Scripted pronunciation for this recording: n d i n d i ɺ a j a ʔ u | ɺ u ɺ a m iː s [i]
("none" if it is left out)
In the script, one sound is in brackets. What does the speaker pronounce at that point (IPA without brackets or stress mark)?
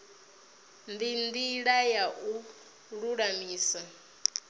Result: a